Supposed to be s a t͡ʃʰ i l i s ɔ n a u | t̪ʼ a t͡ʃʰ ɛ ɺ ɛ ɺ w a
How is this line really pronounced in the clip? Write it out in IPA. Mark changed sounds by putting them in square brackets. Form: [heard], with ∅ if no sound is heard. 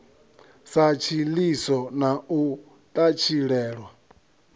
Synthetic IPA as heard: s a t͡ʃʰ i l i s ɔ n a u | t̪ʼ a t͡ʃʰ [i] ɺ [ɛː] ɺ w a